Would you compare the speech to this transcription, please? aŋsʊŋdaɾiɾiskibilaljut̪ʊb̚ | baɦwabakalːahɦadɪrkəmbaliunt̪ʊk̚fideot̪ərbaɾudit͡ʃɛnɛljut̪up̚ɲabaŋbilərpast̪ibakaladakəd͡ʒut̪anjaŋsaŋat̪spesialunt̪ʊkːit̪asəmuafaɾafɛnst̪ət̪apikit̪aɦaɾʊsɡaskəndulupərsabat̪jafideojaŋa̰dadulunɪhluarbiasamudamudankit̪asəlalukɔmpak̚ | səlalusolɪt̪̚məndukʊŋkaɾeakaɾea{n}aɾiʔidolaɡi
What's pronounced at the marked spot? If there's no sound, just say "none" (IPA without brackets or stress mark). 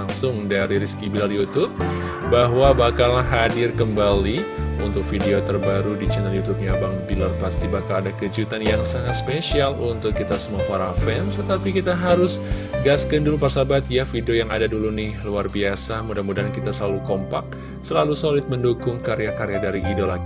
d